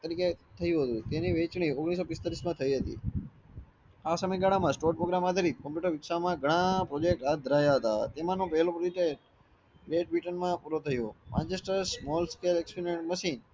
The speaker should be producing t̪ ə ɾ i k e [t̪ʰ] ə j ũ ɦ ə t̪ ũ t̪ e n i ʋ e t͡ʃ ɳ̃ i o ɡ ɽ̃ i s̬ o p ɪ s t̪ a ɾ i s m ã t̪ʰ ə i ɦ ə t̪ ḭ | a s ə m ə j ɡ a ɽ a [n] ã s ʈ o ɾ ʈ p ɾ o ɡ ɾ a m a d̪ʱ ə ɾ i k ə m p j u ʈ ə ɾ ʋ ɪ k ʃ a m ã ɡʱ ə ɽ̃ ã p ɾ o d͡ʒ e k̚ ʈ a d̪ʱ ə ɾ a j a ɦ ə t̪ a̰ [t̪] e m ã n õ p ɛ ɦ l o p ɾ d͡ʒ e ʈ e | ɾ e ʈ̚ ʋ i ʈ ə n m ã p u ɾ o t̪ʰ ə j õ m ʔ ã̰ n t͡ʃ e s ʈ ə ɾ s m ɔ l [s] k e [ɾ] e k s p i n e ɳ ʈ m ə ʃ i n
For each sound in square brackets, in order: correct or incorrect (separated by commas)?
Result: correct, incorrect, correct, correct, incorrect